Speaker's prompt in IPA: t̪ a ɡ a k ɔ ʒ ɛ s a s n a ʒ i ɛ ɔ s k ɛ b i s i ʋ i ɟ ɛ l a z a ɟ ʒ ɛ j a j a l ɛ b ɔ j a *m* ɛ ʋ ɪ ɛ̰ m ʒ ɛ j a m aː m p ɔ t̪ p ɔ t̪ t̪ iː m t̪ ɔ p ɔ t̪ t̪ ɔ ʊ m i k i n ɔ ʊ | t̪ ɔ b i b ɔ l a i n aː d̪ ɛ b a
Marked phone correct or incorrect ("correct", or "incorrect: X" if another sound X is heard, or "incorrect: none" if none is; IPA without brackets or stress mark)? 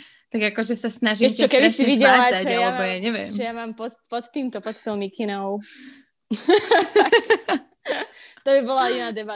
incorrect: ɲ